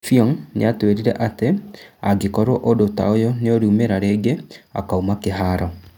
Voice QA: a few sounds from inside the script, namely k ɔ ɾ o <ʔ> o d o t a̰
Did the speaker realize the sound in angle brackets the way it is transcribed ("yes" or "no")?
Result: yes